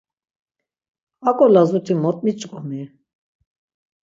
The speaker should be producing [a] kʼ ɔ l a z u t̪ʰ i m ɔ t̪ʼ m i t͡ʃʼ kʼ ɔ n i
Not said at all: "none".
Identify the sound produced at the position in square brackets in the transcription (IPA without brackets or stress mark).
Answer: a